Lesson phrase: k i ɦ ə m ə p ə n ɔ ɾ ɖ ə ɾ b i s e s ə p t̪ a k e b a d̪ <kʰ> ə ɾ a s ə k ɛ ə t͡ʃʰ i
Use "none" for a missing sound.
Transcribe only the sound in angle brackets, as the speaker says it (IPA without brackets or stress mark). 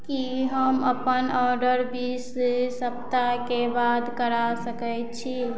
k